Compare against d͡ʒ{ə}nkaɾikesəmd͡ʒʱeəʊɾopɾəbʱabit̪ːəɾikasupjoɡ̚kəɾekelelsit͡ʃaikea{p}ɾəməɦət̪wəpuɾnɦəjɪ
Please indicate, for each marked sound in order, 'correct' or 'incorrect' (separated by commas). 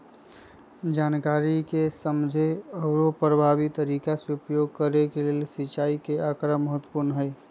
incorrect, incorrect